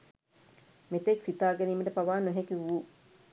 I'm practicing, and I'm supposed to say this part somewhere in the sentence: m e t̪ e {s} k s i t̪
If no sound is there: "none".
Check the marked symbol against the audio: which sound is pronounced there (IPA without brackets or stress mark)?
none